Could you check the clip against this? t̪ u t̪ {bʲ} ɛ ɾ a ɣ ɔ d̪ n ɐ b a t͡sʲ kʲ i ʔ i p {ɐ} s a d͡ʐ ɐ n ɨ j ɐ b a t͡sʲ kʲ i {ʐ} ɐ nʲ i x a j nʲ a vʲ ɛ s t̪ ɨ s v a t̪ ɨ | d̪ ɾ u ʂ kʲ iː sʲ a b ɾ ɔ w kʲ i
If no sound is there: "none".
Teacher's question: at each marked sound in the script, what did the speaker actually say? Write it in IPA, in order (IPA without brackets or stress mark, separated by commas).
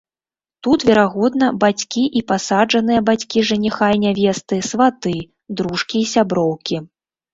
vʲ, a, ʐ